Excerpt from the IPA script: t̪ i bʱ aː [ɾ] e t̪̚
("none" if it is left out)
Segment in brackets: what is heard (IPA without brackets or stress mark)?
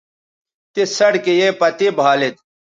l